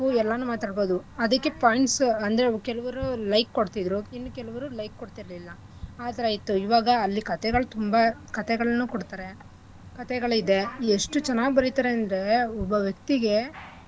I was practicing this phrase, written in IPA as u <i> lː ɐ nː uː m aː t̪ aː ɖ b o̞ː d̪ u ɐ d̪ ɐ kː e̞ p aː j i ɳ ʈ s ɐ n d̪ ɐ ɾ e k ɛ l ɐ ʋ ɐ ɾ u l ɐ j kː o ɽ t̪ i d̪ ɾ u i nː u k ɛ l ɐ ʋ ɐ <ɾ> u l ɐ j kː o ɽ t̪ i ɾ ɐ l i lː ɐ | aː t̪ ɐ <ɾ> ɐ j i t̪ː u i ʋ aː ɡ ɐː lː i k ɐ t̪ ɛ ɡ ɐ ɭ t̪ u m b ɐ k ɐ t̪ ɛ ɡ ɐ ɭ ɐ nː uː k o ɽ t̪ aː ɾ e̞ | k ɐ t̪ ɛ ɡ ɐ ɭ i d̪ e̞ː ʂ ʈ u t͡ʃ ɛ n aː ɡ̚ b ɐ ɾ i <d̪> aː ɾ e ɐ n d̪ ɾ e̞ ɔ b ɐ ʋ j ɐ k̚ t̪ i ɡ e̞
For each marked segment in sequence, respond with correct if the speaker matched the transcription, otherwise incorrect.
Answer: incorrect: ɛ, correct, correct, incorrect: t̪

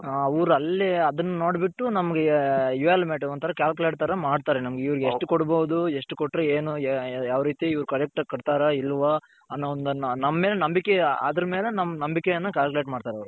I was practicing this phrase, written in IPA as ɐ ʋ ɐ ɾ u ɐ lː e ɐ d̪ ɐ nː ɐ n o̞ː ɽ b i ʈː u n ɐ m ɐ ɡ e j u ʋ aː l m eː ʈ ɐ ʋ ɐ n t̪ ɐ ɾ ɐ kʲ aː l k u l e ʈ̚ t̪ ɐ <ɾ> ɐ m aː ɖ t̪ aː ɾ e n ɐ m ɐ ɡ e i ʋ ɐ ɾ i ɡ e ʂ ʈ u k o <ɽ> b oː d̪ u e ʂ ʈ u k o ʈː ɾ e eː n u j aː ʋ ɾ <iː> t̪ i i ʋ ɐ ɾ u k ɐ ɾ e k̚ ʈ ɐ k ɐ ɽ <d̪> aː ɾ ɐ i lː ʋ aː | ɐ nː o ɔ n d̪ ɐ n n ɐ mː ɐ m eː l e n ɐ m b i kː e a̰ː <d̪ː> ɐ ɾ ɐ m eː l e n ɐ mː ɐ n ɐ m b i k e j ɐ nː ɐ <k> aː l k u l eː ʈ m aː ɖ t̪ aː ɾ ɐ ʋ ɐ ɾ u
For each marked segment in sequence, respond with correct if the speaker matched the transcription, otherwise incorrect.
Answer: correct, correct, correct, incorrect: t̪, incorrect: d̪, correct

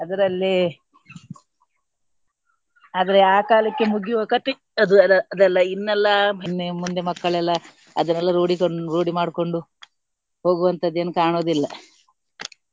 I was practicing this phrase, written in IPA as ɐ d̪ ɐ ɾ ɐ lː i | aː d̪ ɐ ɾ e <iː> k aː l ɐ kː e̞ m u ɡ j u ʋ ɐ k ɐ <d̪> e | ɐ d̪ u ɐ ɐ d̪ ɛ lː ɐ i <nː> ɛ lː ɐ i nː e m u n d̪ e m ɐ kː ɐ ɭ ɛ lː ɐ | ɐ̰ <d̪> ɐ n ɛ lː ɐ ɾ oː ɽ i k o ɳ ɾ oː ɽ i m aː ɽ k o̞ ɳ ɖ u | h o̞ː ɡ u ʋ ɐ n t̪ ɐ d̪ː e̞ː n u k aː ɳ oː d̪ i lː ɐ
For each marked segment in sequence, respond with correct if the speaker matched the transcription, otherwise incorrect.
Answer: incorrect: aː, incorrect: t̪, correct, correct

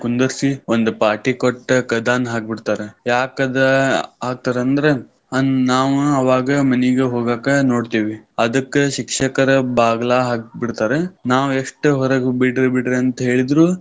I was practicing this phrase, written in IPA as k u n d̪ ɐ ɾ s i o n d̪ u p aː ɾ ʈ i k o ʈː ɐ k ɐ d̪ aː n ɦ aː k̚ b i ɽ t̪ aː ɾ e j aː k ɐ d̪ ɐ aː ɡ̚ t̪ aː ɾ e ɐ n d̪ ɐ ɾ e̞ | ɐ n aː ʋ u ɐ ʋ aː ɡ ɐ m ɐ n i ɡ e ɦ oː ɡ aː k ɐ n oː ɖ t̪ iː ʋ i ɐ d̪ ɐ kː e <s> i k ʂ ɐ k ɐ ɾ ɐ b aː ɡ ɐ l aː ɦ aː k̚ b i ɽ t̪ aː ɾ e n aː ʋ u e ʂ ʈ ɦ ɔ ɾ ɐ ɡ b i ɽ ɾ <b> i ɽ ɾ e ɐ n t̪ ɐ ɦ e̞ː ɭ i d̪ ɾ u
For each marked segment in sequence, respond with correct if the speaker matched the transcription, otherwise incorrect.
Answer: incorrect: ʃ, correct

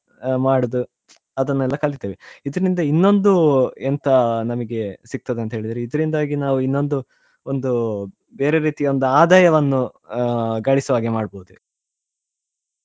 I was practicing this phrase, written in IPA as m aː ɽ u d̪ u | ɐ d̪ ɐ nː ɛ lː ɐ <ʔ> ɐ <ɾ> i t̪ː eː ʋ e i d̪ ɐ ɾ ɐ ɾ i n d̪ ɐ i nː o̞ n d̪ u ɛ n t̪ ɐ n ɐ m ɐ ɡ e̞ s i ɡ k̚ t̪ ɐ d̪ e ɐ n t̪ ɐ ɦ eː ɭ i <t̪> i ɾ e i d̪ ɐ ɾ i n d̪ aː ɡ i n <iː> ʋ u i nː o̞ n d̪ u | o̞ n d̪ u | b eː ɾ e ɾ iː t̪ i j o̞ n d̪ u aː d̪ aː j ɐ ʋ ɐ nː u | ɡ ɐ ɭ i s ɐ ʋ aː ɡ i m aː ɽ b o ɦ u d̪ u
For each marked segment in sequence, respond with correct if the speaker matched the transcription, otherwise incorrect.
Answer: incorrect: k, incorrect: ɭ, incorrect: d̪, incorrect: aː

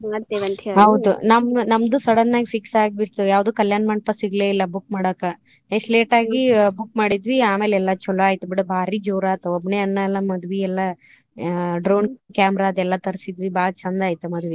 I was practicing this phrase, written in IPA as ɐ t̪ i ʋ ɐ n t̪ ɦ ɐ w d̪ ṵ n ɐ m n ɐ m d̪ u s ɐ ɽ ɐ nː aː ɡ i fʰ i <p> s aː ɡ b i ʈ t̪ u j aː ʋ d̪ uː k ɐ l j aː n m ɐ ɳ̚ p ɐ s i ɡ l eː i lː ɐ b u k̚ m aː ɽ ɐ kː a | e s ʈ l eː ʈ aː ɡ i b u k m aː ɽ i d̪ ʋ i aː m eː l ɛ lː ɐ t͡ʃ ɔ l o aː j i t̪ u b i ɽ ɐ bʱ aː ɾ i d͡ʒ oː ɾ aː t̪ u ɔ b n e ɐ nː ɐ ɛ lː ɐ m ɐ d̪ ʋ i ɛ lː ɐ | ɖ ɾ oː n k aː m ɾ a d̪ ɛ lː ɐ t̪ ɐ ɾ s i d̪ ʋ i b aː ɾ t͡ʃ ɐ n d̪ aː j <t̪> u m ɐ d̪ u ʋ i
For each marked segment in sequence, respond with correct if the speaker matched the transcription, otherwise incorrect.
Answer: incorrect: k, correct

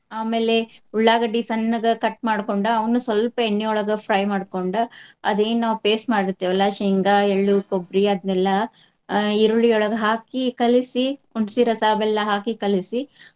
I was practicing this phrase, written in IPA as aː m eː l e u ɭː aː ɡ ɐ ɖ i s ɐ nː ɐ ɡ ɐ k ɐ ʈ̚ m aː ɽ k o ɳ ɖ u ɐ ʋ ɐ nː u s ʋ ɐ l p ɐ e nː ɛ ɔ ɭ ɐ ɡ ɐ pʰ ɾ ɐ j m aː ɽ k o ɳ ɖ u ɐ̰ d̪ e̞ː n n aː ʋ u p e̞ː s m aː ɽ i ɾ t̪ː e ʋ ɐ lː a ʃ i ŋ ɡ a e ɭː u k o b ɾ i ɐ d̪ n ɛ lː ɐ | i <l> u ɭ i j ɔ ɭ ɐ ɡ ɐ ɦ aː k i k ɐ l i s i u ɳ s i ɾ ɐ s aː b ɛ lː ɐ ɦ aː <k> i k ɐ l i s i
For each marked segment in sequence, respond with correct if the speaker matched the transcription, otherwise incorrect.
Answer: incorrect: ɾ, correct

